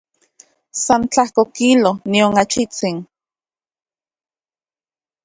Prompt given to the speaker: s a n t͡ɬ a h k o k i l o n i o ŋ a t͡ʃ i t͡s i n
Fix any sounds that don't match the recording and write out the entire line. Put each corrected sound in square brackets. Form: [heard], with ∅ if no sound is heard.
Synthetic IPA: s a n t͡ɬ a h k o k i l o n i o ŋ a t͡ʃ i t͡s i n